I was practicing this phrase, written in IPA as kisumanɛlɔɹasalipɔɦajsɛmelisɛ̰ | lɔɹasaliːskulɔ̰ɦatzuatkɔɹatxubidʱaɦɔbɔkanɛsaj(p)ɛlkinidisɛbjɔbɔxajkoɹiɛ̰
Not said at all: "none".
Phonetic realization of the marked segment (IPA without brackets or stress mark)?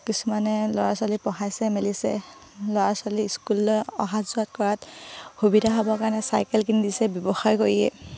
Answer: k